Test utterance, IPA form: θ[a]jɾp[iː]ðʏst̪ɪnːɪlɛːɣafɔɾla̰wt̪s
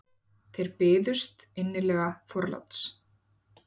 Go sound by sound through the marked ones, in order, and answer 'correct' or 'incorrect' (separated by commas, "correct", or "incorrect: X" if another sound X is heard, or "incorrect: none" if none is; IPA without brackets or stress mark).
incorrect: e, incorrect: ɪː